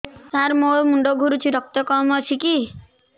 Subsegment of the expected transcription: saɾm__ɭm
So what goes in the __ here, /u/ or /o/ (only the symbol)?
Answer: o